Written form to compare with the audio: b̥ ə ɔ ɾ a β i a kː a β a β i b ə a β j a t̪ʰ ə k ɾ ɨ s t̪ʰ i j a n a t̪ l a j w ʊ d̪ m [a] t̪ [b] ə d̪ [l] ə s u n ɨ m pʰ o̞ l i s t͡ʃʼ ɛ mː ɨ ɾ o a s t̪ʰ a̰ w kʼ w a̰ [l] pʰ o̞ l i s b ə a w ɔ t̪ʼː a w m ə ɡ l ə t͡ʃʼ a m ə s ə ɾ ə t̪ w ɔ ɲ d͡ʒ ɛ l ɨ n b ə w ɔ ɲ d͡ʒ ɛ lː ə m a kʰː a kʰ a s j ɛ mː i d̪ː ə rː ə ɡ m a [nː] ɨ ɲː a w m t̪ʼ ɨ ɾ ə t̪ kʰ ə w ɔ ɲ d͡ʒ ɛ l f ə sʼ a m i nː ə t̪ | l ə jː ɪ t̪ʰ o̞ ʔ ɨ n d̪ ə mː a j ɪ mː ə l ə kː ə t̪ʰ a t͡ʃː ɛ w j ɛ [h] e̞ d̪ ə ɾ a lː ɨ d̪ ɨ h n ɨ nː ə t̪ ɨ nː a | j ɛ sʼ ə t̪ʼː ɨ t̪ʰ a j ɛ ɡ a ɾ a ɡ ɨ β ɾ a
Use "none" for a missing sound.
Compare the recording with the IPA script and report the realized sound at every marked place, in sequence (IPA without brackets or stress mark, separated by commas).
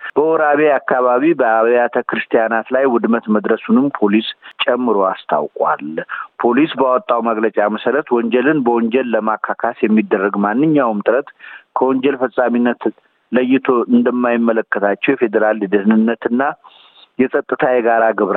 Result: ə, m, ɾ, l, nː, f